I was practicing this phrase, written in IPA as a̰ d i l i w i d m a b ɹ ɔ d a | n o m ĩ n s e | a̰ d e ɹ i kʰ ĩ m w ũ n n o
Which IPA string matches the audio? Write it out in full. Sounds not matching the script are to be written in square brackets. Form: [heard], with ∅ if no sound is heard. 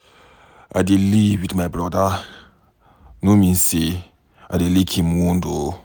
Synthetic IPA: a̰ d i l i w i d m a b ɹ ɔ d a | n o m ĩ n s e | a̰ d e [l] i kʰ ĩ m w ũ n [d] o